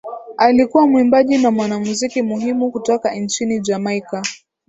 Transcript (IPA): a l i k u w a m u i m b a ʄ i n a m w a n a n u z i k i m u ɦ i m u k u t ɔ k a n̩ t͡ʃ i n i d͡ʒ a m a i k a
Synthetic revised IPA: a l i k u w a m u i m b a ʄ i n a m w a n a m u z i k i m u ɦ i m u k u t ɔ k a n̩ t͡ʃ i n i d͡ʒ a m a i k a